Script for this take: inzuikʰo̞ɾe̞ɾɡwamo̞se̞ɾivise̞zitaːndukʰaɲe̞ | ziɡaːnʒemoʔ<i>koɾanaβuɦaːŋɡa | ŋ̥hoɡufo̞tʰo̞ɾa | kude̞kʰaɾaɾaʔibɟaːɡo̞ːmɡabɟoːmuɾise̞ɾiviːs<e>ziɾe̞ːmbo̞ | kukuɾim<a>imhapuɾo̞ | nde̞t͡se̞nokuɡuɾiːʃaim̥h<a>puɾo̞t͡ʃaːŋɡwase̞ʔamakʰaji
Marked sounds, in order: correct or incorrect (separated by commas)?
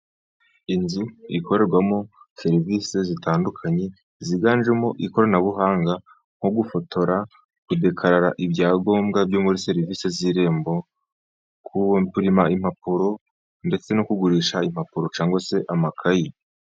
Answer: correct, correct, correct, correct